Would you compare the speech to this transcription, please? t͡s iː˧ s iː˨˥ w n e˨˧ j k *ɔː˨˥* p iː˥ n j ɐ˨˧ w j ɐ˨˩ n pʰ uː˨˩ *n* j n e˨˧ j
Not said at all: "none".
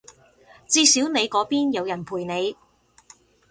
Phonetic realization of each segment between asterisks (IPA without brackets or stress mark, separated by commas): ɔː˨˥, none